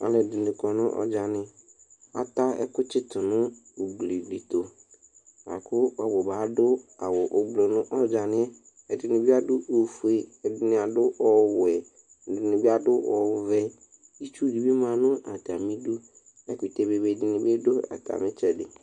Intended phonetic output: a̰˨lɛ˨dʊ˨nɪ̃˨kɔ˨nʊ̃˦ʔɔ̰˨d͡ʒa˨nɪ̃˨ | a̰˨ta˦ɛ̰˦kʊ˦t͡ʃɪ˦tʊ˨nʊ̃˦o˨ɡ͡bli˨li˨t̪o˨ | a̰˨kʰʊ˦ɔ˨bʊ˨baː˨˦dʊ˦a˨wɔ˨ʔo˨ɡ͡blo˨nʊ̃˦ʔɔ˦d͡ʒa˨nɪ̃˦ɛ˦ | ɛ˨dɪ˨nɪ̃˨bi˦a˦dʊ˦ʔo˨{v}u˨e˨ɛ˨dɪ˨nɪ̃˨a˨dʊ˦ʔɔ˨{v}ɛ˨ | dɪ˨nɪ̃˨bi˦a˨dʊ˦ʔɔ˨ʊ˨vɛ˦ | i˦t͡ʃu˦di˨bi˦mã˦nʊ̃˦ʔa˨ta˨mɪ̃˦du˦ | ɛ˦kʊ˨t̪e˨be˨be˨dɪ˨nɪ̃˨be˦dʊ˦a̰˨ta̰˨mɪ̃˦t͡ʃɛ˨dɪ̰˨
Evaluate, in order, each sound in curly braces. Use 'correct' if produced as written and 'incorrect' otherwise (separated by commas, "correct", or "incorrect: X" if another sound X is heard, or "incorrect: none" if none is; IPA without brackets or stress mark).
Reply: incorrect: f, incorrect: w